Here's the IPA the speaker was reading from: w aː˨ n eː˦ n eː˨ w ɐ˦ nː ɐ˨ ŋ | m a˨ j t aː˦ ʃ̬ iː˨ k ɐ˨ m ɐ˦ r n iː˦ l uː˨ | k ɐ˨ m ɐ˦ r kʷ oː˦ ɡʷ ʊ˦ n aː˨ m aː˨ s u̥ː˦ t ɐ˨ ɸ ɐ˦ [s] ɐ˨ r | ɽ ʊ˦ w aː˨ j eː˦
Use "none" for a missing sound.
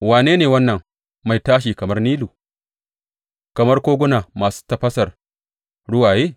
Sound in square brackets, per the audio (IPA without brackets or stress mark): s